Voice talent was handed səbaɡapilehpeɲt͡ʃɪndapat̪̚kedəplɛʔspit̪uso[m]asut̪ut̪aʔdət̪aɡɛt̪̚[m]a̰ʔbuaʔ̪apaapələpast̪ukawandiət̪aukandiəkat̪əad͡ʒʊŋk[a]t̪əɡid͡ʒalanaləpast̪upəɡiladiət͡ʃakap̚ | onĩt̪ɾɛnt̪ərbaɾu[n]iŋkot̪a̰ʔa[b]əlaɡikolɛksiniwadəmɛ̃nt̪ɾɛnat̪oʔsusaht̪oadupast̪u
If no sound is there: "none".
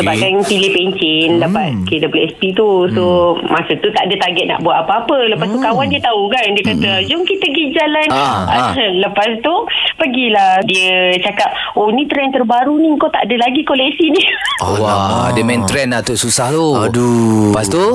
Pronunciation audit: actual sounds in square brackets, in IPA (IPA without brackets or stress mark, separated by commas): m, n, i, n, d